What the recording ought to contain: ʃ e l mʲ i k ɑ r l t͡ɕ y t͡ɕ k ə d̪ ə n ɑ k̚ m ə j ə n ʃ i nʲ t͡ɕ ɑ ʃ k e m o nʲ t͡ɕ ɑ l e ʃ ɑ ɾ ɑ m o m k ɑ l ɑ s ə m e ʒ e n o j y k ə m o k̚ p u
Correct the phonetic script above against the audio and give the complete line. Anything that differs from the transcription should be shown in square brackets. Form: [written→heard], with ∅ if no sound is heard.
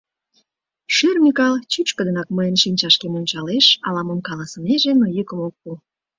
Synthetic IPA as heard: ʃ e [l→r] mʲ i k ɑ [r→∅] l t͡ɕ y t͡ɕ k ə d̪ ə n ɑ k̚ m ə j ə n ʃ i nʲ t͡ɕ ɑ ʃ k e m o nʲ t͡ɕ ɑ l e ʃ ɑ [ɾ→l] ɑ m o m k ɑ l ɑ s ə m e ʒ e n o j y k ə m o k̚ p u